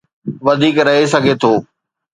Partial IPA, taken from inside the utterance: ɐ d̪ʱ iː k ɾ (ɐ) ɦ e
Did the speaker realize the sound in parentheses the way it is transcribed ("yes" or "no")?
yes